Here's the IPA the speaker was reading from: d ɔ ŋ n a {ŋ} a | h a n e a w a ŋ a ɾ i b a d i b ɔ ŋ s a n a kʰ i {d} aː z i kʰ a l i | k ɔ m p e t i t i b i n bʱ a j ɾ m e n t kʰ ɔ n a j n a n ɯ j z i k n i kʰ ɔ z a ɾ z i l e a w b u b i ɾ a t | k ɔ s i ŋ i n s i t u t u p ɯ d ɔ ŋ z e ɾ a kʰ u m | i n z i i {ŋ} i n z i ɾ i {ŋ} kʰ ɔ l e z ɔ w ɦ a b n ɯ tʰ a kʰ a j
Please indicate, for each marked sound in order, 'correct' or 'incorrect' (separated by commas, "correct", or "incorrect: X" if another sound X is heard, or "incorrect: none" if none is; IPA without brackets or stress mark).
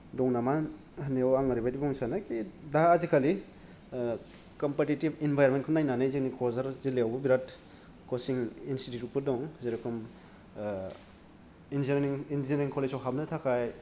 incorrect: m, correct, correct, correct